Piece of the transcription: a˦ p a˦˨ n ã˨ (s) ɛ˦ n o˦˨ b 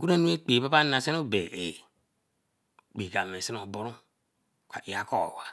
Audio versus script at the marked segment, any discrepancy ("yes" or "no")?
no